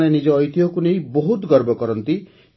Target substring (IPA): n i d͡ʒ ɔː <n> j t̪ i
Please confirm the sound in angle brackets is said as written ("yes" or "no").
no